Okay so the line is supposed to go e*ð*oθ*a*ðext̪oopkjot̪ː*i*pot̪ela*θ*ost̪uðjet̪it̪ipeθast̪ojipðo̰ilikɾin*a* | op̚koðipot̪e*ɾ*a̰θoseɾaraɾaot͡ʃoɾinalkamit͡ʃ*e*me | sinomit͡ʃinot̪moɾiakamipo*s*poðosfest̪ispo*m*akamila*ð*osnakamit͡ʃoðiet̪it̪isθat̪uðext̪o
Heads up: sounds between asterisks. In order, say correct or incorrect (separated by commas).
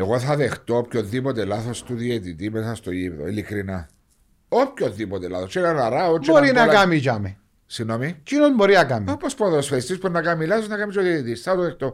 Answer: incorrect, correct, correct, correct, correct, incorrect, incorrect, correct, incorrect, incorrect